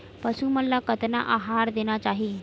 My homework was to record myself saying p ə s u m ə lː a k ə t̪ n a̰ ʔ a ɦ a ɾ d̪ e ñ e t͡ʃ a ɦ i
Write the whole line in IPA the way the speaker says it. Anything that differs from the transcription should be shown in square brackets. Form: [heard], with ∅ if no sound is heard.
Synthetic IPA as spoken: p ə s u m ə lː a k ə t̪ n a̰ ʔ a ɦ a ɾ d̪ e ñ [a] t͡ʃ a ɦ i